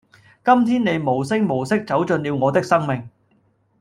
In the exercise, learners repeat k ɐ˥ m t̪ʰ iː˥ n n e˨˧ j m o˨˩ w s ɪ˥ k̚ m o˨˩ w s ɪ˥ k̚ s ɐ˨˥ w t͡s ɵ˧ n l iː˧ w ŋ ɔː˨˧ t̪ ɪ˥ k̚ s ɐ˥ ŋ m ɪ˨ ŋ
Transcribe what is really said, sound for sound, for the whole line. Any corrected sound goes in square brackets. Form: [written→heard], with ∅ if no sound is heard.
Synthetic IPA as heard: k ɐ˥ m t̪ʰ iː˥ n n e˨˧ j m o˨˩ w s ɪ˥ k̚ m o˨˩ w s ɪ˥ k̚ [s→t͡s] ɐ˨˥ w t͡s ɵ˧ n l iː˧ w ŋ ɔː˨˧ t̪ ɪ˥ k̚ s ɐ˥ ŋ m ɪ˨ ŋ